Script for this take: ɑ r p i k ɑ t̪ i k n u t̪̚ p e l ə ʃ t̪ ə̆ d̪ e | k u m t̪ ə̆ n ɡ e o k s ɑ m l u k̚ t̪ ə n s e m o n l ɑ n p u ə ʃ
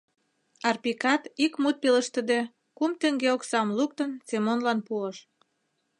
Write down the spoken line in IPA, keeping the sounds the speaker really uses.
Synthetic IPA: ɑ r p i k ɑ t̪ i k m u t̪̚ p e l ə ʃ t̪ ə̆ d̪ e | k u m t̪ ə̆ ŋ ɡ e o k s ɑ m l u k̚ t̪ ə n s e m o n l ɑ n p u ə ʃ